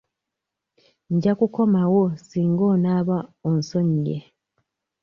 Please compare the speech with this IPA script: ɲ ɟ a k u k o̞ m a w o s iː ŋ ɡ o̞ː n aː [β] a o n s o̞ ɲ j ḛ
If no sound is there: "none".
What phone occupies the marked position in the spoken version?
β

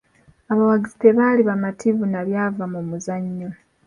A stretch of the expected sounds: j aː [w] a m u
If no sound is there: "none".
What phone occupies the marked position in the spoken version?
v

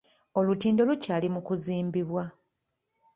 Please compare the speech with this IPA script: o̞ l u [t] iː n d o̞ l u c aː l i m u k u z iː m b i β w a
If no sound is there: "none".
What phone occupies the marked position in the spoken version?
t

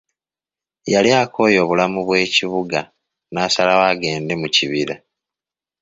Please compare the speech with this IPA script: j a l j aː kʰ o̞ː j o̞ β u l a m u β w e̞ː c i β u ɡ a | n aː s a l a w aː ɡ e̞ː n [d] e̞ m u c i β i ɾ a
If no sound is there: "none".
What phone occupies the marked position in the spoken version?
d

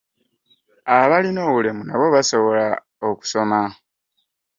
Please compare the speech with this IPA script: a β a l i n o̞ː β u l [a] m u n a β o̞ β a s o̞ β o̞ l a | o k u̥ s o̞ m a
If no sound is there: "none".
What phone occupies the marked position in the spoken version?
e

